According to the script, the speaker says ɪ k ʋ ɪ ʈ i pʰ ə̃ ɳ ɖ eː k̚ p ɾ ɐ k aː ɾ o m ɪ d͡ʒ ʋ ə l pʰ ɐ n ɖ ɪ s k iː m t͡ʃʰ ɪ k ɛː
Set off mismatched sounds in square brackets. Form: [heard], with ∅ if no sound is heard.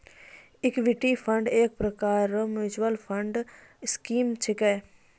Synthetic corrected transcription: ɪ k ʋ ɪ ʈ i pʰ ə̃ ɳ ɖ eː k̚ p ɾ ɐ k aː ɾ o m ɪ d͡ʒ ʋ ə l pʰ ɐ [ɳ] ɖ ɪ s k iː m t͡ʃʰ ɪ k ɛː